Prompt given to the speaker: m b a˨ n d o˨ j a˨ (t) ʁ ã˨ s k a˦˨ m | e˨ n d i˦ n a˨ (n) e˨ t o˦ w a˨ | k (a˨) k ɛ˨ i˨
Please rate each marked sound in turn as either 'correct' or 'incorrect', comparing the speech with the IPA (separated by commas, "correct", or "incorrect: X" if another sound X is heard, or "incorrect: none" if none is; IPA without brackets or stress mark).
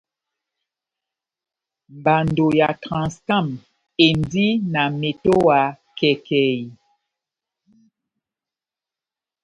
correct, incorrect: m, incorrect: ɛ˨